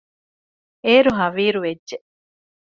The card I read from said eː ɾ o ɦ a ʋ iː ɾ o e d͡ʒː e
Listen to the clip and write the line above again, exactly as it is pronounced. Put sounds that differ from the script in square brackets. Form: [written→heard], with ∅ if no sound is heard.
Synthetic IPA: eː ɾ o ɦ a ʋ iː ɾ [o→u] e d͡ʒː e